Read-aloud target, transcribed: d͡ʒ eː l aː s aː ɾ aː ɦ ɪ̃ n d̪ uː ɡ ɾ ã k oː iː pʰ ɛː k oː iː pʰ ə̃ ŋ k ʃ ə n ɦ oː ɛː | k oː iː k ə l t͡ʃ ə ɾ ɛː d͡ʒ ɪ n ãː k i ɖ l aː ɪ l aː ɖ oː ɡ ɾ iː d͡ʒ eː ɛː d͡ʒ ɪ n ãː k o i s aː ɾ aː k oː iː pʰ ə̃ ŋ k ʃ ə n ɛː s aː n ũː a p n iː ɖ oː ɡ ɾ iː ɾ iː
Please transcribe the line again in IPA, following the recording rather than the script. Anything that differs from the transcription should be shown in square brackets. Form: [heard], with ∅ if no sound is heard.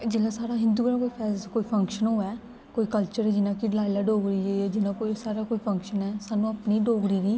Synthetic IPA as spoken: d͡ʒ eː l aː s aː ɾ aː ɦ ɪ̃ n d̪ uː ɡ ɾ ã k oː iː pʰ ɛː k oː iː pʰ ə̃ ŋ k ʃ ə n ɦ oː ɛː | k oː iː k ə l t͡ʃ ə ɾ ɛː d͡ʒ ɪ n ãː k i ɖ l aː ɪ l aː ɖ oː ɡ ɾ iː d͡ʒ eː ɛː d͡ʒ ɪ n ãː k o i s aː ɾ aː k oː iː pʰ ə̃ ŋ k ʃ ə n ɛː s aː n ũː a p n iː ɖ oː ɡ ɾ iː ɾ iː